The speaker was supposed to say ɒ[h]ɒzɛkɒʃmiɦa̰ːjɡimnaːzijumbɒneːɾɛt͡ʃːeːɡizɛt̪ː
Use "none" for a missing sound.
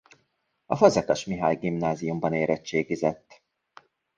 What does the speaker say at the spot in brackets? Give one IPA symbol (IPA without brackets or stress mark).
f